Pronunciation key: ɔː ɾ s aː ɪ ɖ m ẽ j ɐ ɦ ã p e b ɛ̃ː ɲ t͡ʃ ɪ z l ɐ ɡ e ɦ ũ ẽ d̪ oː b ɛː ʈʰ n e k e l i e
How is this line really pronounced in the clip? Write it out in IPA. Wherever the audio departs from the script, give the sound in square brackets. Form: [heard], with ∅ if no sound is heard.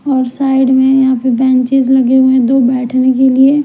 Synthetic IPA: ɔː ɾ s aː ɪ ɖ m ẽ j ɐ ɦ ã p e b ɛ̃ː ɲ t͡ʃ ɪ z l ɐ ɡ e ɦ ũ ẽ d̪ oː b ɛː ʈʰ n e k e l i e